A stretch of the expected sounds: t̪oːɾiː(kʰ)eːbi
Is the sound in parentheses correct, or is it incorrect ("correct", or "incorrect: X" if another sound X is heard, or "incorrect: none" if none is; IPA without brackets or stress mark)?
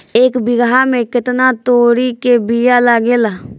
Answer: incorrect: k